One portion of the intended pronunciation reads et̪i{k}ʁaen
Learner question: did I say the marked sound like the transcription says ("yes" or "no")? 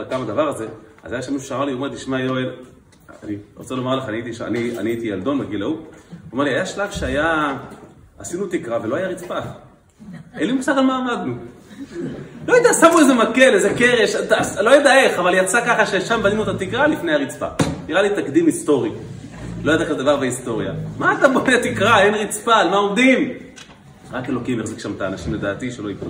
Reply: yes